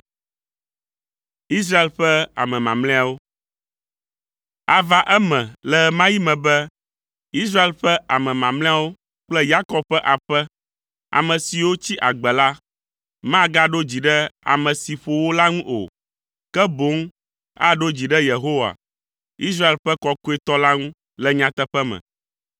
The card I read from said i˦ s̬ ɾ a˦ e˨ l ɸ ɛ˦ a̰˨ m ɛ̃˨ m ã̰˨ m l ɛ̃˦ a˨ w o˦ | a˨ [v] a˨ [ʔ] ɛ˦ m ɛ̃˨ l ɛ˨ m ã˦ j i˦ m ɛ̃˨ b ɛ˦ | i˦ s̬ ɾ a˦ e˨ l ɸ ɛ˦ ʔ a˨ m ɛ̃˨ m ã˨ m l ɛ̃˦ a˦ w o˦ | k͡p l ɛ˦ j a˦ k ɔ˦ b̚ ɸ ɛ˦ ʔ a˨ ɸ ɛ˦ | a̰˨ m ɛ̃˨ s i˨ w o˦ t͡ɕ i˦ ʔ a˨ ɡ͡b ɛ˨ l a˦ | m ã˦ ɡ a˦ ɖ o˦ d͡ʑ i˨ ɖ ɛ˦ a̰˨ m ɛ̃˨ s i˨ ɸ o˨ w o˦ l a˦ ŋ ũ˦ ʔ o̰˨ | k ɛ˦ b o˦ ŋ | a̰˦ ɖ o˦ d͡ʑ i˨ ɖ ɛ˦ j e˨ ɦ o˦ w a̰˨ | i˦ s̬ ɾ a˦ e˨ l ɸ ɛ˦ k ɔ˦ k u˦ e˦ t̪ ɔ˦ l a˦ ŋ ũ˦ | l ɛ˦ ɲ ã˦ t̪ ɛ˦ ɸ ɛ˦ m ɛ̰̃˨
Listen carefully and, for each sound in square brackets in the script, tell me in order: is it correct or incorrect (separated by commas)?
correct, correct